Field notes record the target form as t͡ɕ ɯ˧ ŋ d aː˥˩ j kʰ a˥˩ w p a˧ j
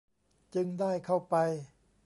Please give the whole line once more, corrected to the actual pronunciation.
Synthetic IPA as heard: t͡ɕ ɯ˧ ŋ d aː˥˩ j kʰ a˥˩ w p a˧ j